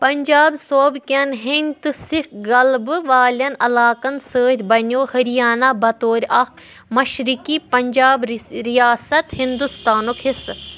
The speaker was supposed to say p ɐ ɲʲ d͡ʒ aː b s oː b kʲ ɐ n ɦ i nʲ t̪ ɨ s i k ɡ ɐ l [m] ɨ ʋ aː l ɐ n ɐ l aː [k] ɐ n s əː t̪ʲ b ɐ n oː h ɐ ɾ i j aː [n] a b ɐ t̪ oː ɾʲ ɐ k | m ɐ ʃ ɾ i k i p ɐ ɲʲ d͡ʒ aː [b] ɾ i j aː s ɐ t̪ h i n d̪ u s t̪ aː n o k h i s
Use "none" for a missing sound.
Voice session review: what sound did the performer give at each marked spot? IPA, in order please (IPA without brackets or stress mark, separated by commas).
b, k, n, b